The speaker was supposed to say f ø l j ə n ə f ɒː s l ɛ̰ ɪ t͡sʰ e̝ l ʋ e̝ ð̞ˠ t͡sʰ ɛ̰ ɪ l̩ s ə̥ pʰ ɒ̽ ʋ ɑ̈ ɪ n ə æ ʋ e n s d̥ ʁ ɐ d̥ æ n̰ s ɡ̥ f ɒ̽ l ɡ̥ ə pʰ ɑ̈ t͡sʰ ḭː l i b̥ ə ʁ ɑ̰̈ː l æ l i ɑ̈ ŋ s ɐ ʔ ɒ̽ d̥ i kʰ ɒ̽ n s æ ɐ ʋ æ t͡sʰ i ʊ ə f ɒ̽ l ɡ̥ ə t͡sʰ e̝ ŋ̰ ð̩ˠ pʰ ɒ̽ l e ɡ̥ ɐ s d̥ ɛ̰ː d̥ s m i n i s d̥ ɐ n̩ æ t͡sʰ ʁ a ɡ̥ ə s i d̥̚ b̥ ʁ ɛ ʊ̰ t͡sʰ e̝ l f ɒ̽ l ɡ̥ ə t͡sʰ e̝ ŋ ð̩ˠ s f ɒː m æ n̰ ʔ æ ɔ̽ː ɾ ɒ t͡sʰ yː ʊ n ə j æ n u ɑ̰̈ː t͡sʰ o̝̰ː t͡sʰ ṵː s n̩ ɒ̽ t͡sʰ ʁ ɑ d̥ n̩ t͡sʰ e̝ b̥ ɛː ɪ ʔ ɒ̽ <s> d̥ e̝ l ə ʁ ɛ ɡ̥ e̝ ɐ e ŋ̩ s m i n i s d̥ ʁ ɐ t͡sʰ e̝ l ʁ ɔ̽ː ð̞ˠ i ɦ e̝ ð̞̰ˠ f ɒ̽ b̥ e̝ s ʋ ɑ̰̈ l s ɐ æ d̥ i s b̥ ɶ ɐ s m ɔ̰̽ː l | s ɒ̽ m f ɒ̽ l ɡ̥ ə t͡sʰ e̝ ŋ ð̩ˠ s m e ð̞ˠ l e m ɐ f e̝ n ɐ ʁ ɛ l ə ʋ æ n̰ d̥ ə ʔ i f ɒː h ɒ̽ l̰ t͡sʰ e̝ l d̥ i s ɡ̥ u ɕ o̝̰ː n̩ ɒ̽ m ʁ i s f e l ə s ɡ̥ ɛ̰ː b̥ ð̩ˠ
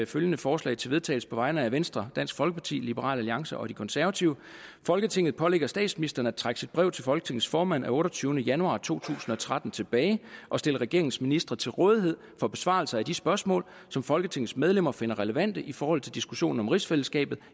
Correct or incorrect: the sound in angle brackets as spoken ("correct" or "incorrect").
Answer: correct